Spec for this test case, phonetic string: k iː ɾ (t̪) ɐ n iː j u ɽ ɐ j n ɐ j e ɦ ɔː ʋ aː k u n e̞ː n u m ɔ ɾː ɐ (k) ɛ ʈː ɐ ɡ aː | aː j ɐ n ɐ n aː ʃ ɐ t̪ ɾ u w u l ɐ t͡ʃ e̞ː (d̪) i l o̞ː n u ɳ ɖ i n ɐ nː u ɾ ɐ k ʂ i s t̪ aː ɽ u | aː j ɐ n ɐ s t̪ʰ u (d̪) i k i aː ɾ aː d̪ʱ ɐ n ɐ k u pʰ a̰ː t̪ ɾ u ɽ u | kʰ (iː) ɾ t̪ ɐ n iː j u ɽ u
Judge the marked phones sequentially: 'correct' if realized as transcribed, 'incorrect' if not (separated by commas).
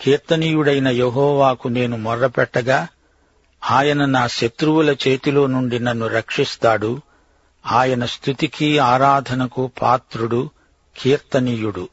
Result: correct, incorrect, incorrect, incorrect, correct